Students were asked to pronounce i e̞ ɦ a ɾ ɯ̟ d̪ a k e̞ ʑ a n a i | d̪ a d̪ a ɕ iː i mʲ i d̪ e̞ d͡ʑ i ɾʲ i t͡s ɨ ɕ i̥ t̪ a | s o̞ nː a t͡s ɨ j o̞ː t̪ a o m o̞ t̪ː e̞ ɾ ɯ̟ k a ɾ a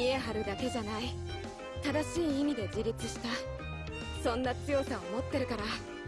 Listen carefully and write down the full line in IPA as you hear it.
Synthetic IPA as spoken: i e̞ ɦ a ɾ ɯ̟ d̪ a k e̞ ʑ a n a i | t̪ a d̪ a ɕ iː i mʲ i d̪ e̞ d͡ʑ i ɾʲ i t͡s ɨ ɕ i̥ t̪ a | s õ̞ nː a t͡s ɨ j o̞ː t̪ a o m o̞ t̪ː e̞ ɾ ɯ̟ k a ɾ a